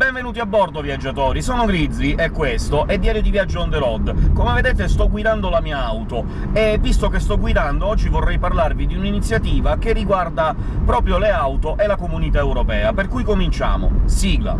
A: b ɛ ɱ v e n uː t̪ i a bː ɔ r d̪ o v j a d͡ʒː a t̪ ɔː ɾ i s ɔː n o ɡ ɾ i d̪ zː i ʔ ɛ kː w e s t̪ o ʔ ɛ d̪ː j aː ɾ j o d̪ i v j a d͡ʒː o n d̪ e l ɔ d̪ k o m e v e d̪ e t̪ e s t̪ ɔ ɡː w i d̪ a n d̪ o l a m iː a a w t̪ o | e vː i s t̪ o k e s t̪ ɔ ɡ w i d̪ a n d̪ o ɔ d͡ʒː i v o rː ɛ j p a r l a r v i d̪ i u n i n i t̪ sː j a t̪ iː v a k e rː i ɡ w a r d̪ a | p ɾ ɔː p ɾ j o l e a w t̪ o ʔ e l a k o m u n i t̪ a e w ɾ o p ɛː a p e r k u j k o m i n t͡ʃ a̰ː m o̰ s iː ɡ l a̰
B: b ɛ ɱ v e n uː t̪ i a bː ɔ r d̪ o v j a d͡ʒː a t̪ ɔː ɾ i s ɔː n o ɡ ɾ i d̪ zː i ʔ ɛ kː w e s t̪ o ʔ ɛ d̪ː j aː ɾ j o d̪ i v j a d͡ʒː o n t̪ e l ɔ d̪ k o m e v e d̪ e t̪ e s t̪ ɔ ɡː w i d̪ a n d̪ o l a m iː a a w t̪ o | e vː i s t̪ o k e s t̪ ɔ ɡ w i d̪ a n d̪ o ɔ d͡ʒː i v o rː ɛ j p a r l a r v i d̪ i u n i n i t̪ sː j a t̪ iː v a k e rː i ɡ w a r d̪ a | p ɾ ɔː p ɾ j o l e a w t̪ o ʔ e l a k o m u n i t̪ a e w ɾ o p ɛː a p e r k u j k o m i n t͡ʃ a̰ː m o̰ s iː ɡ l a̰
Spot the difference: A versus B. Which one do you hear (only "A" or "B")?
A